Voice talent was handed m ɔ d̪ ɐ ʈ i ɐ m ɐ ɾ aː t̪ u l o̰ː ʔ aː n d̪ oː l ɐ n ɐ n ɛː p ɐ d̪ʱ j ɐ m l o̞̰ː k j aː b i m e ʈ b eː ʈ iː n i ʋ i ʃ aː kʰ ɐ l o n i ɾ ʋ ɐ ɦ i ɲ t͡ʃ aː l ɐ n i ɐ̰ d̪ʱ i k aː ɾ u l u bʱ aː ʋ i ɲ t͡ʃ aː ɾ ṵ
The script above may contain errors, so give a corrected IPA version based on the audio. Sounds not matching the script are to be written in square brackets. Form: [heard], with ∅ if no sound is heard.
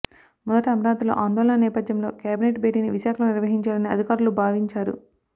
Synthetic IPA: m ɔ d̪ ɐ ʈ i ɐ m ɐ ɾ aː t̪ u l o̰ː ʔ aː n d̪ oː l ɐ n ɐ n ɛː p ɐ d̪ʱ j ɐ m l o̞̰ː k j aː b i [n] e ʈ b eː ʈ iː n i ʋ i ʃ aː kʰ ɐ l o n i ɾ ʋ ɐ ɦ i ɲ t͡ʃ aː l ɐ n i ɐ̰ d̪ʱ i k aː ɾ u l u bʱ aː ʋ i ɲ t͡ʃ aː ɾ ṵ